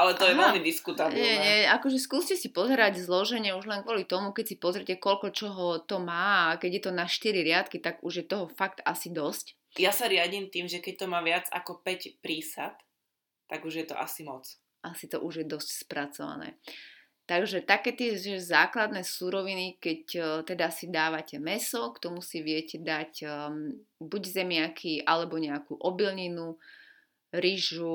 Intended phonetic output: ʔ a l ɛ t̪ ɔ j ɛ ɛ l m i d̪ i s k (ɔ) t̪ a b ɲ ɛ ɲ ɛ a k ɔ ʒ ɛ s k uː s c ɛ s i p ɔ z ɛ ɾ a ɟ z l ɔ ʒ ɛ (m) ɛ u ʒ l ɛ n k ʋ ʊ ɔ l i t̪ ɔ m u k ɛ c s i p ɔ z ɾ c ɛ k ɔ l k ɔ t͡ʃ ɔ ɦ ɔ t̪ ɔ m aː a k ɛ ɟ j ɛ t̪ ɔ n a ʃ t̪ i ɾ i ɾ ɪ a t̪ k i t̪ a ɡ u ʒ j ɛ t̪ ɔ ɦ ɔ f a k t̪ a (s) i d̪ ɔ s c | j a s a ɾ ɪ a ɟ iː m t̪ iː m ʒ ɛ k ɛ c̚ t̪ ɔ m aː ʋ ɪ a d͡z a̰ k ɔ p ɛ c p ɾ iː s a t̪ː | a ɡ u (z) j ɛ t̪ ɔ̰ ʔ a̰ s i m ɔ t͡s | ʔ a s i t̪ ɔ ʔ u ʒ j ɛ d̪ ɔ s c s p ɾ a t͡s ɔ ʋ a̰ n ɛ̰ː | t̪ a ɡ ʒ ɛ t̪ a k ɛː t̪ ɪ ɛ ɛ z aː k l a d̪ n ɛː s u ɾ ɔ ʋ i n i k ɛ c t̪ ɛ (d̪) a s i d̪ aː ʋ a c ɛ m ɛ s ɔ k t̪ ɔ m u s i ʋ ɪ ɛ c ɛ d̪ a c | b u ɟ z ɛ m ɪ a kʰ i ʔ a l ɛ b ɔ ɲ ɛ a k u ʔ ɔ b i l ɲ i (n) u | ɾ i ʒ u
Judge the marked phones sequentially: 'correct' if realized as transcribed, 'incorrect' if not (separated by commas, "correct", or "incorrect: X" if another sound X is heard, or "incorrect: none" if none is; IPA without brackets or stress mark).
incorrect: u, incorrect: ɲ, correct, incorrect: ʒ, correct, correct